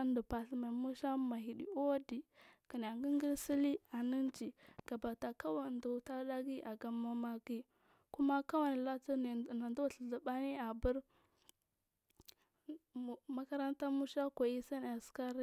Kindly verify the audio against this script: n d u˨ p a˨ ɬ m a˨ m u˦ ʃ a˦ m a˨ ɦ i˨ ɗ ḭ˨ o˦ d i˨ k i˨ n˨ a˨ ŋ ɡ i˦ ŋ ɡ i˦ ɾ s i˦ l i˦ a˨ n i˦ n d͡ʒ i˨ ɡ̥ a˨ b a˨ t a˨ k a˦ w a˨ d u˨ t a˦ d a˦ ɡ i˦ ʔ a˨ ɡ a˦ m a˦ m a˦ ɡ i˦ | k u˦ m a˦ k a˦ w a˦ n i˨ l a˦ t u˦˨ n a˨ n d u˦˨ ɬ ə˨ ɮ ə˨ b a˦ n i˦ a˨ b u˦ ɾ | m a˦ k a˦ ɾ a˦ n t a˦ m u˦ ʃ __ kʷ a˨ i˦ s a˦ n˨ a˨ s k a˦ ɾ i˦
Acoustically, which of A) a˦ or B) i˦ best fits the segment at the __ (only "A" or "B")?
A